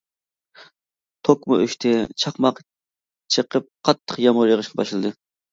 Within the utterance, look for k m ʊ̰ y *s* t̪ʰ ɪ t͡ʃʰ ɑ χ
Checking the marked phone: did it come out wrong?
yes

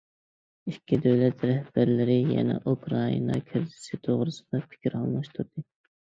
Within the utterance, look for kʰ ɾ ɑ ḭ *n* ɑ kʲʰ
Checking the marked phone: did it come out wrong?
no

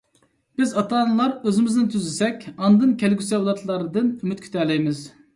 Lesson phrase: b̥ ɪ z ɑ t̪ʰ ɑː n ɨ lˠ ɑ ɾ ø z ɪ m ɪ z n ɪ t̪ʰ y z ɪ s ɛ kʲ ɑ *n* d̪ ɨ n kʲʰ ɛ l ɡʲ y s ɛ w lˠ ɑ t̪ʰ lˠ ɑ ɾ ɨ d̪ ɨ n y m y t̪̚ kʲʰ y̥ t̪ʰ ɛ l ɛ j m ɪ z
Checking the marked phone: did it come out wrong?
no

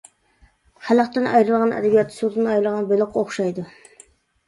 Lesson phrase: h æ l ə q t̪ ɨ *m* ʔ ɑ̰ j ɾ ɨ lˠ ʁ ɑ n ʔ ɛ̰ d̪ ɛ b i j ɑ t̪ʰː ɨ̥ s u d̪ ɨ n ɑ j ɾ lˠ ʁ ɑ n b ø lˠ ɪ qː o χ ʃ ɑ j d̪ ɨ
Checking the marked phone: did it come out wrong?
yes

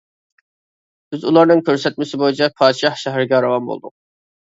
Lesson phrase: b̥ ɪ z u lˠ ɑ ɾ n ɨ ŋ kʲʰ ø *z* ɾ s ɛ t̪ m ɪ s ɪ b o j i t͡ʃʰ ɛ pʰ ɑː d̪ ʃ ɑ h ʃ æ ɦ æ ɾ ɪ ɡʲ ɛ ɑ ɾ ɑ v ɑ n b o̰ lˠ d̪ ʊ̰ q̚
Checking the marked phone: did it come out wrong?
yes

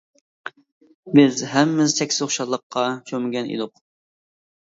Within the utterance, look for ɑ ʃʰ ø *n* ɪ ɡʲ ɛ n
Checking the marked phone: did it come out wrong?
yes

